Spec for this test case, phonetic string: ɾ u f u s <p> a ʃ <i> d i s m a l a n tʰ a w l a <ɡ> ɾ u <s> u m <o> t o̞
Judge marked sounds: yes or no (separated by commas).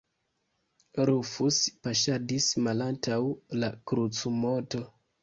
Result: yes, no, no, no, yes